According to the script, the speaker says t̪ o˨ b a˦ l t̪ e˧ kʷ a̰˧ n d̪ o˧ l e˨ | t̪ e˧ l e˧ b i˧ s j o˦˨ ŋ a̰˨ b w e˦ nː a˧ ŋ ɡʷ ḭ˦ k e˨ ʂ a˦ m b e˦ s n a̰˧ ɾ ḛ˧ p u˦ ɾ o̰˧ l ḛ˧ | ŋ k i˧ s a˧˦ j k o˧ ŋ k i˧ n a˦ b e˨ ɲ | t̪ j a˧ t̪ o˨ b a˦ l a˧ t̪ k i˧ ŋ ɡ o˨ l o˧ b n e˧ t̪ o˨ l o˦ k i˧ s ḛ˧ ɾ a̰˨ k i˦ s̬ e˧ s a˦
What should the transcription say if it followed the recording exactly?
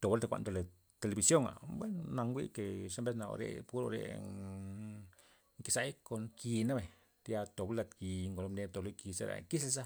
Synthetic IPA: t̪ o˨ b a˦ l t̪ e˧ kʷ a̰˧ n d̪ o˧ l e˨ | t̪ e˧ l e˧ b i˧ s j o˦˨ ŋ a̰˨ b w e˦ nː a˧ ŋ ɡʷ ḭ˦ k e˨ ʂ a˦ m b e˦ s n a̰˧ ɾ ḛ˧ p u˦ ɾ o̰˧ ɾ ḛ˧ | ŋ k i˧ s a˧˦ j k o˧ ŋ k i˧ n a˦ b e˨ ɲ | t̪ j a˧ t̪ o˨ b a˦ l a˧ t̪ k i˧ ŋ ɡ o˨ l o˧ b n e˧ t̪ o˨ l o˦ k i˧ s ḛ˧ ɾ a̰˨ k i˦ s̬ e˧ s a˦

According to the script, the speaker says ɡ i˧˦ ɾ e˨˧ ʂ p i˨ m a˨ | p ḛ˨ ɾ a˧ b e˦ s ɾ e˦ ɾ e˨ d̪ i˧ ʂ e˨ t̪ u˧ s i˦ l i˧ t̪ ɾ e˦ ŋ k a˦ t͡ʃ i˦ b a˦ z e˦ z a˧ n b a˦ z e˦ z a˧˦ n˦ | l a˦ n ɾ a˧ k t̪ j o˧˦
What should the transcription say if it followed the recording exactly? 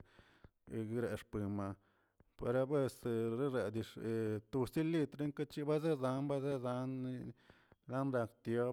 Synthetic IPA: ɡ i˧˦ ɾ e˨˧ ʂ p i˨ m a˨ | p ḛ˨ ɾ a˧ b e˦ s ɾ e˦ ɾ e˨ d̪ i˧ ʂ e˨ t̪ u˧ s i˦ l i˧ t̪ ɾ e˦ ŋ k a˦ t͡ʃ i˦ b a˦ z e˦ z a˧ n b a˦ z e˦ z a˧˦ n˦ | l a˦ n ɾ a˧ k t̪ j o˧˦

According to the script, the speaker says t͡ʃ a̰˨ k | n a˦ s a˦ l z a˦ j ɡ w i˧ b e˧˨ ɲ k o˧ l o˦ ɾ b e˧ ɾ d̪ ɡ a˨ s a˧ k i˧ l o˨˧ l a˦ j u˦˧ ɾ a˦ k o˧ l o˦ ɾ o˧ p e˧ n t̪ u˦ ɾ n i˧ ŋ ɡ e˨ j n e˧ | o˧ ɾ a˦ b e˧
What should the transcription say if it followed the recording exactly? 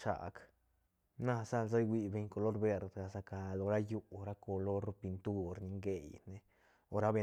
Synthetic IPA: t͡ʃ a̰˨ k | n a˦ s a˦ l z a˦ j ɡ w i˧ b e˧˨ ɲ k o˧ l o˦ ɾ b e˧ ɾ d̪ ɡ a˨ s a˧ k a˧ l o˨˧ ɾ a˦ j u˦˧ ɾ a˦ k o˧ l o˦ ɾ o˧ p i˧ n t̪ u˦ ɾ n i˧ ŋ ɡ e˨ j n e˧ | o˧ ɾ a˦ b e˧

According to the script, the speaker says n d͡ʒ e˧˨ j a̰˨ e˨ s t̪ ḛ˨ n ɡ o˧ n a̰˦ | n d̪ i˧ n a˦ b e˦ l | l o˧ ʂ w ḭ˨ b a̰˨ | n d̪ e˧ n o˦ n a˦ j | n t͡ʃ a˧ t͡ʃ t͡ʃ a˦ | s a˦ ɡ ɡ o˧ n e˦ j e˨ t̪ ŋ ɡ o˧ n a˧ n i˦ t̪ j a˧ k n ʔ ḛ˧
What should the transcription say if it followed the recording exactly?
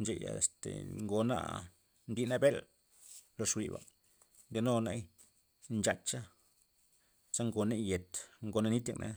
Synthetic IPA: n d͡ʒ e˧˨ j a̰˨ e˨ s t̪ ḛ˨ ŋ ɡ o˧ n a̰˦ | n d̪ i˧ n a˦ b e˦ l | l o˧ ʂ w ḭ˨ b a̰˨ | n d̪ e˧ n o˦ n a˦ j | n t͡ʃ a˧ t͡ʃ t͡ʃ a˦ | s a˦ ŋ ɡ o˧ n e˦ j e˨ t̪ ŋ ɡ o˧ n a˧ n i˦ t̪ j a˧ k n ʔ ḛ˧

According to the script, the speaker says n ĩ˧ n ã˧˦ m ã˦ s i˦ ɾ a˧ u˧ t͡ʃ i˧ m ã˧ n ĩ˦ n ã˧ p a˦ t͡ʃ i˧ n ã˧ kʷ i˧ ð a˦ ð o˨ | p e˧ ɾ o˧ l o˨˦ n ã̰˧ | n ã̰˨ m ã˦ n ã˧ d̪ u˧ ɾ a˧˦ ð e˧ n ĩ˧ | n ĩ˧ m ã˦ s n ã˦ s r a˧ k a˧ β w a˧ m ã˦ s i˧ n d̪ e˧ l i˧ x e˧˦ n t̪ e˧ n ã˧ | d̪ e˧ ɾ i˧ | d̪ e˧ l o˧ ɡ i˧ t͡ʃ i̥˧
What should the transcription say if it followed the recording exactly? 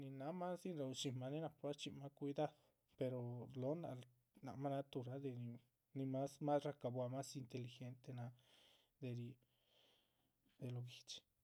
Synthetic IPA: n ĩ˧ n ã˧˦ m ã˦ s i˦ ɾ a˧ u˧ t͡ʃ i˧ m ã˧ n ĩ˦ n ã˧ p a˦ t͡ʃ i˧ m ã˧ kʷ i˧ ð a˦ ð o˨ | p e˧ ɾ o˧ l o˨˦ n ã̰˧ | n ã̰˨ m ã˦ n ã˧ t̪ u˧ ɾ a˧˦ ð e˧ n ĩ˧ | n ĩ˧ m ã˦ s m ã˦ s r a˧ k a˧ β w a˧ m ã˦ s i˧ n t̪ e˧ l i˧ x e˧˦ n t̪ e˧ n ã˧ | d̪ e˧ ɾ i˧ | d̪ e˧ l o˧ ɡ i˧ t͡ʃ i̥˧

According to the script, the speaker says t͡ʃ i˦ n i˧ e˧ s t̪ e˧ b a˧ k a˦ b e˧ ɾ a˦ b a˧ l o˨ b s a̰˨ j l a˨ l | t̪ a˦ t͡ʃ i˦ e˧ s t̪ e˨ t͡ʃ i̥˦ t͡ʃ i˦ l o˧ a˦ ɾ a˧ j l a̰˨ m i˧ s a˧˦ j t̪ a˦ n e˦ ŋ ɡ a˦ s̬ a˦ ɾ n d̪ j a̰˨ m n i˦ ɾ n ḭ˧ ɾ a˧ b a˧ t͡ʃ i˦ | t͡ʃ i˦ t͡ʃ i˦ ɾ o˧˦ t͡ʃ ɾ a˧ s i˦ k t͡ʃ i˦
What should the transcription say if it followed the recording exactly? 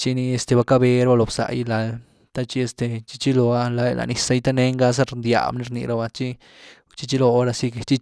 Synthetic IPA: t͡ʃ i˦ n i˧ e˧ s t̪ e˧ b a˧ k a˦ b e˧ ɾ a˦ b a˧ l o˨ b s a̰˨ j l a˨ l | t̪ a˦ t͡ʃ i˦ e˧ s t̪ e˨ t͡ʃ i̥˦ t͡ʃ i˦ l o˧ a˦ l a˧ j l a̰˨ n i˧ s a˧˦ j t̪ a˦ n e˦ ŋ ɡ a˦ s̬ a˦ ɾ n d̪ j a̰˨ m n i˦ ɾ n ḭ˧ ɾ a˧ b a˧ t͡ʃ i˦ | t͡ʃ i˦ t͡ʃ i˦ l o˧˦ ɾ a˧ s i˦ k t͡ʃ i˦

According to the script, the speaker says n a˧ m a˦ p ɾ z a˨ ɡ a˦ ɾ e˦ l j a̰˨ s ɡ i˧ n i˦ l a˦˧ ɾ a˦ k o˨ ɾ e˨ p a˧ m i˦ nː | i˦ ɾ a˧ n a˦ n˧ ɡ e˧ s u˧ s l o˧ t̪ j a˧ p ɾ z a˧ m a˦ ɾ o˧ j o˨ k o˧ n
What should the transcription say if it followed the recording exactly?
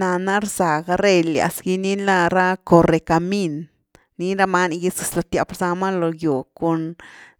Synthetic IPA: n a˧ n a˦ ɾ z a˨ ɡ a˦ ɾ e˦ l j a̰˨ s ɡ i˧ n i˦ l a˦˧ ɾ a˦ k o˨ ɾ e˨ k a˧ m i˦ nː | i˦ ɾ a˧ m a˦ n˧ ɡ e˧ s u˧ s l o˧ t̪ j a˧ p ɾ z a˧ m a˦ l o˧ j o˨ k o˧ n

